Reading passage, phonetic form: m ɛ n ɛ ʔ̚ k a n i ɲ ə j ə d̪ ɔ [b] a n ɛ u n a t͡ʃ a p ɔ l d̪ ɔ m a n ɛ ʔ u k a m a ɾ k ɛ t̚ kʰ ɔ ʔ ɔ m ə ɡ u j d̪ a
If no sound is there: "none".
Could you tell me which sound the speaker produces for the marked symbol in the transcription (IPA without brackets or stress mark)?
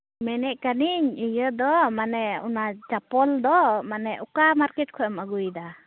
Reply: m